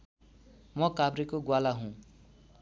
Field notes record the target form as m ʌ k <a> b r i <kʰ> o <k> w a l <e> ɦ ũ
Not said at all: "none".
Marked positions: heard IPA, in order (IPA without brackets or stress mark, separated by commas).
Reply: a, k, ɡ, a